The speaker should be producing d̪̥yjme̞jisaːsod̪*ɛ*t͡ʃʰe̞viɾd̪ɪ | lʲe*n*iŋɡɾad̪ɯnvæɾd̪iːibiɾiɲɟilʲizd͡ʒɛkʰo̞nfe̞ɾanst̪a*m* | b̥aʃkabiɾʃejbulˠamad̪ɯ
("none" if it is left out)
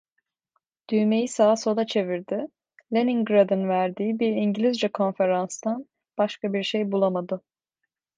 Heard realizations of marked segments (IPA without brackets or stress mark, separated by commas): a, n, n